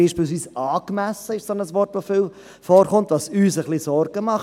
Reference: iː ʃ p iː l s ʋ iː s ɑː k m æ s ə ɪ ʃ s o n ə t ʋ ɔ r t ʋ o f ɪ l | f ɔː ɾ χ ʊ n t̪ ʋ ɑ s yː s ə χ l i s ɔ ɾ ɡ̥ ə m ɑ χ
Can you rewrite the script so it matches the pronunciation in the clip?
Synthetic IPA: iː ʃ p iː l s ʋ iː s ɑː k m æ s ə ɪ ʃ s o n ə s ʋ ɔ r t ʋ o f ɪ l | f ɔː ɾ χ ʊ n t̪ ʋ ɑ s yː s ə χ l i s ɔ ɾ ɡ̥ ə m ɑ χ